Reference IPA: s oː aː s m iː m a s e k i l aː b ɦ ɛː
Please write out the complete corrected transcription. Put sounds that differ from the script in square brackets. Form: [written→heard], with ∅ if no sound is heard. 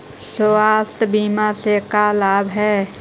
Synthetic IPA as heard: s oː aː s [m→b] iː m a s e k [i→a] l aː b ɦ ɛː

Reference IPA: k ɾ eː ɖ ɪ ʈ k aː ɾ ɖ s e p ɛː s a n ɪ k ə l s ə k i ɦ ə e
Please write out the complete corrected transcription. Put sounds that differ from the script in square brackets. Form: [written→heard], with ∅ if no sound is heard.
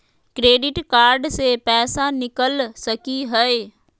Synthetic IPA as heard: k ɾ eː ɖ ɪ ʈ k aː ɾ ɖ s e p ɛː s a n ɪ k ə l s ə k i ɦ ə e

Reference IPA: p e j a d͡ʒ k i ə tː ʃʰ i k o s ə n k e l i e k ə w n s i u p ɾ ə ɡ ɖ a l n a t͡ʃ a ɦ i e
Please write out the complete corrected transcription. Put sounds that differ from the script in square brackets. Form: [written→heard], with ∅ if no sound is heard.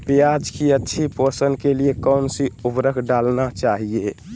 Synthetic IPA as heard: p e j a d͡ʒ k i ə tː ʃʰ i [k→p] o s ə n k e l i e k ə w n s i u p ɾ ə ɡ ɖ a l n a t͡ʃ a ɦ i e

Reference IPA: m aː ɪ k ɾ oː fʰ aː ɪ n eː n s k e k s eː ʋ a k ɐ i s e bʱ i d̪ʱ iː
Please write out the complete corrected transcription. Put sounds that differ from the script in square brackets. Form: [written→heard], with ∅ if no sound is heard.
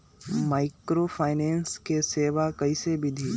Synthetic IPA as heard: m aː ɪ k ɾ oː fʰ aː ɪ n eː n s k e [k→∅] s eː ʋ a k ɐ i s e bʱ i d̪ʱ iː

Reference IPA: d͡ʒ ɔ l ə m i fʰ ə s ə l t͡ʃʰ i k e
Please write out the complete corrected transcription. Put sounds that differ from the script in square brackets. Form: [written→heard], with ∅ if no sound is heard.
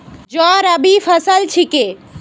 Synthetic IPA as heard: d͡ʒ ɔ [l→ɾ] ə [m→b] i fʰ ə s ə l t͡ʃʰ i k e

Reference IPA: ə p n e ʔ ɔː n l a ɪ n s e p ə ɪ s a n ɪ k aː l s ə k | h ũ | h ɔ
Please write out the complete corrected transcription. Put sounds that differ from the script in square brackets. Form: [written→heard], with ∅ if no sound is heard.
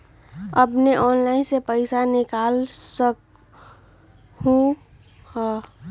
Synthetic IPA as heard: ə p n e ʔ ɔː n l a ɪ n s e p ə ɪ s a n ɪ k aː l s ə k | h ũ | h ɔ

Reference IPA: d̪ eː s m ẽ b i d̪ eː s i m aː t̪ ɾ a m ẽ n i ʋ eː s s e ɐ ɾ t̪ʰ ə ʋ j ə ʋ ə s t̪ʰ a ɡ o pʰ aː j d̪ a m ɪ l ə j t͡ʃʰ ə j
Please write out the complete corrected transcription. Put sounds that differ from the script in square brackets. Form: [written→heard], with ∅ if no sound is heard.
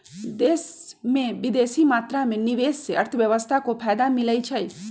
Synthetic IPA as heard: d̪ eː s m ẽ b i d̪ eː s i m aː t̪ ɾ a m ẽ n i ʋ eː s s e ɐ ɾ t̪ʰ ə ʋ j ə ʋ ə s t̪ʰ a [ɡ→k] o pʰ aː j d̪ a m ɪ l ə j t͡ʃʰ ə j

